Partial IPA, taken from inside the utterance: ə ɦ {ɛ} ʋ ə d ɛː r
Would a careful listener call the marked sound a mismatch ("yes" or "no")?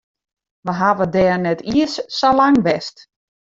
yes